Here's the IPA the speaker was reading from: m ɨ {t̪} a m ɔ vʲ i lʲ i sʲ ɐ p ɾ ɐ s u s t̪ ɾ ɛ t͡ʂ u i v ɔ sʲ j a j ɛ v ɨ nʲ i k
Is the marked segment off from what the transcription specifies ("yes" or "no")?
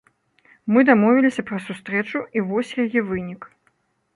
yes